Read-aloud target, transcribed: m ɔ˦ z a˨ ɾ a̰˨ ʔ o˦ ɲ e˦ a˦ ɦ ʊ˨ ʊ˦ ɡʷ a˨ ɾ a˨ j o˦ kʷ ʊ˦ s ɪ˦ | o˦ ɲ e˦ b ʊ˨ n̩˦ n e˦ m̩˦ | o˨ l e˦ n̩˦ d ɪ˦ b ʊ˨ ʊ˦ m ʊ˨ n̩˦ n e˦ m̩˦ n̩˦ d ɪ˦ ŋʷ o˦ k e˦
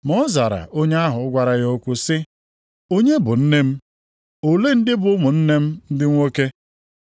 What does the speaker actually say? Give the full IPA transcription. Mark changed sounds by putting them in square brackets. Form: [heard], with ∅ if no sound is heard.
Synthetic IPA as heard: m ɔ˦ z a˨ ɾ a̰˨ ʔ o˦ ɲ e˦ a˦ ɦ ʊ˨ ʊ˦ ɡʷ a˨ ɾ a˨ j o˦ kʷ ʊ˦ s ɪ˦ | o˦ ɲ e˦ b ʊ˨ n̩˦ n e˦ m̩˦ | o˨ l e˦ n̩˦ d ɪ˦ b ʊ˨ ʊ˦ m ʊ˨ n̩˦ n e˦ m̩˦ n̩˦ d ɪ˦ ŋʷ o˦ k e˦